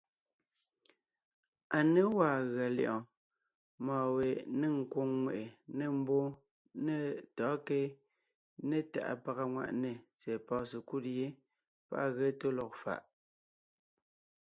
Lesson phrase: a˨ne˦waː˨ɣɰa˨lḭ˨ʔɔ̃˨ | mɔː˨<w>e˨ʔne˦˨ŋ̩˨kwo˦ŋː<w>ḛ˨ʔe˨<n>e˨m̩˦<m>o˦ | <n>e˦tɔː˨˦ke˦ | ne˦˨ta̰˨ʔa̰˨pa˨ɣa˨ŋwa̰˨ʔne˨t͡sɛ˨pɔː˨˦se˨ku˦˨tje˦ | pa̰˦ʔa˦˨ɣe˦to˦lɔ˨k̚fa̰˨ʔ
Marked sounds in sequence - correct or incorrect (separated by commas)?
correct, correct, correct, incorrect, correct